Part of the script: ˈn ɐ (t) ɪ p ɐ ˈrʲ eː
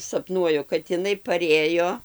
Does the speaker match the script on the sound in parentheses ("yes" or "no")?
no